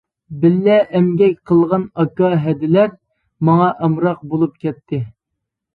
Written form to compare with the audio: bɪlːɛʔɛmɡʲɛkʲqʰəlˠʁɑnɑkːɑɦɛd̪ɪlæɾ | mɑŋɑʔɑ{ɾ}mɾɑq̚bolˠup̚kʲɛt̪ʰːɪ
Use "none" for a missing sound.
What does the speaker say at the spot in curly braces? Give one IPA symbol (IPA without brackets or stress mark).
none